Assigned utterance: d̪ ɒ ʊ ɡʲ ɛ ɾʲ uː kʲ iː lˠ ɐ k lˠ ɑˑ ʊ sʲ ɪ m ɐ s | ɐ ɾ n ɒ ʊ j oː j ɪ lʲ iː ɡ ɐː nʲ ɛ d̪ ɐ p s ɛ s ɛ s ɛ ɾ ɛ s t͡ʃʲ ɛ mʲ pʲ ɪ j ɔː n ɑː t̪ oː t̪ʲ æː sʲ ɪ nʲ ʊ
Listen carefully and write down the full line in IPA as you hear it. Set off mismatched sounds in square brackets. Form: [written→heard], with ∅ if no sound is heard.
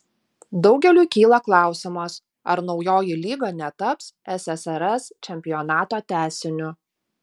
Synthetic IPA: d̪ ɒ ʊ ɡʲ ɛ [ɾʲ→lʲ] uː kʲ iː lˠ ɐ k lˠ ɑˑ ʊ sʲ ɪ m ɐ s | ɐ ɾ n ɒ ʊ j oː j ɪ lʲ iː ɡ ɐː nʲ ɛ [d̪→t̪] ɐ p s ɛ s ɛ s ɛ ɾ ɛ s t͡ʃʲ ɛ mʲ pʲ ɪ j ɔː n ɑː t̪ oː t̪ʲ æː sʲ ɪ nʲ ʊ